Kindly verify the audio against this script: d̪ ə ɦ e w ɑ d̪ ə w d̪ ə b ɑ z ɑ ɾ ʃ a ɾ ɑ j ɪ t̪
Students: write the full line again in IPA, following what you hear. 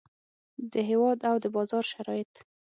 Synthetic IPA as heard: d̪ ə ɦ e w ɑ d̪ a w d̪ ə b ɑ z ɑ ɾ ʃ a ɾ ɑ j ɪ t̪